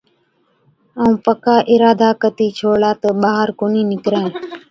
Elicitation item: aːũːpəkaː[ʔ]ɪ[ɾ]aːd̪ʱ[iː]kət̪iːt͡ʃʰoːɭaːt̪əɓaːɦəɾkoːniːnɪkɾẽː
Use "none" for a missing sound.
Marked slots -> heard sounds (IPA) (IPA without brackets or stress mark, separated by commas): ʔ, ɾ, aː